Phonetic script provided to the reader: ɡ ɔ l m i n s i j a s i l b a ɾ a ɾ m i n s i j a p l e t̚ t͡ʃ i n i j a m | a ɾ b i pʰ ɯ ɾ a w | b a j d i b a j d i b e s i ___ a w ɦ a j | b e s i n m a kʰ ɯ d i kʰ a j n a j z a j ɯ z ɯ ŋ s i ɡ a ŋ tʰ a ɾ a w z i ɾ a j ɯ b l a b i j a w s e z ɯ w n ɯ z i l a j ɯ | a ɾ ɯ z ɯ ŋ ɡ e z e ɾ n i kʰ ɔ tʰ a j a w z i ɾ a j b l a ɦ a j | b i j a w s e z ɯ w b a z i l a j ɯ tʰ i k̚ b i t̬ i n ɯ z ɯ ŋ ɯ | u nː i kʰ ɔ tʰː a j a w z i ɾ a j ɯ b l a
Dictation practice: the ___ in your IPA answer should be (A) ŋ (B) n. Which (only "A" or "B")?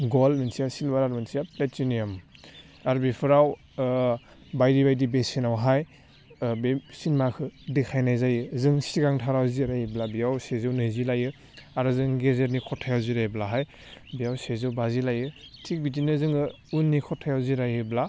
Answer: B